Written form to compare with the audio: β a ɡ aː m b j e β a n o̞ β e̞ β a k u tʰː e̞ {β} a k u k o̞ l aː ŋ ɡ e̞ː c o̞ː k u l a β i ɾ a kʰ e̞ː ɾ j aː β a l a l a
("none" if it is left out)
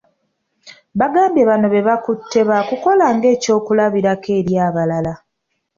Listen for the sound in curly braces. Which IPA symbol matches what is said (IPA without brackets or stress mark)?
β